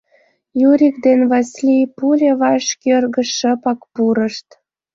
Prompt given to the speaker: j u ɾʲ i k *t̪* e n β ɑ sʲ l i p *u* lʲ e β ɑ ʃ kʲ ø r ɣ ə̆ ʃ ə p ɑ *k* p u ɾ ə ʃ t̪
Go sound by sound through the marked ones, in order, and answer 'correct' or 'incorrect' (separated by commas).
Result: incorrect, correct, correct